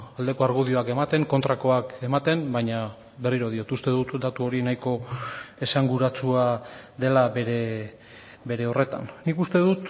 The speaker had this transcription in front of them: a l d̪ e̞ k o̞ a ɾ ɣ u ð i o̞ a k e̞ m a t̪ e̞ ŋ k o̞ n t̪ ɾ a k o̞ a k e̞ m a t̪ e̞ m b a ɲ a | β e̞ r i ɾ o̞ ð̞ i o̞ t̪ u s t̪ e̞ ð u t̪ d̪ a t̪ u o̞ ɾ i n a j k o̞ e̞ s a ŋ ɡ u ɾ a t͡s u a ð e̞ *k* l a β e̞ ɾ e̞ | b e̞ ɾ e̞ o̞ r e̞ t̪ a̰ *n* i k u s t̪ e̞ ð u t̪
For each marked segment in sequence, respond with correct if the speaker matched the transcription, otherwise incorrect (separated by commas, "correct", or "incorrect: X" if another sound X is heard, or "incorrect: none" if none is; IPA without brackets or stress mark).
incorrect: none, incorrect: nː